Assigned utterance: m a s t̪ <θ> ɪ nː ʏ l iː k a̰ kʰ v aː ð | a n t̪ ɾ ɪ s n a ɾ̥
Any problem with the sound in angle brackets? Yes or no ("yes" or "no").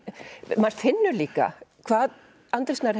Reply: yes